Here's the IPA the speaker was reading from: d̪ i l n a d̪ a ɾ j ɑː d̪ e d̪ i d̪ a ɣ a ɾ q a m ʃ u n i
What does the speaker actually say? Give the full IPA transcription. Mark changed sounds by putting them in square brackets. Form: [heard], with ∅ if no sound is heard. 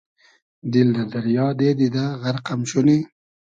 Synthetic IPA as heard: d̪ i l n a d̪ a ɾ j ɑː d̪ e d̪ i d̪ a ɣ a ɾ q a m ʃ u n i